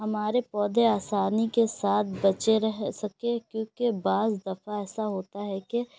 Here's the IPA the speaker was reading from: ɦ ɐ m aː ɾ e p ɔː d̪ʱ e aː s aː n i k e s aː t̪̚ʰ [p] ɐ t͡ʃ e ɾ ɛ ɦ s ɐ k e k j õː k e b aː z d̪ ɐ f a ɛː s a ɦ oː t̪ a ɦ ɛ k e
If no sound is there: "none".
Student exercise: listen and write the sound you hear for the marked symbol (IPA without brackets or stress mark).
b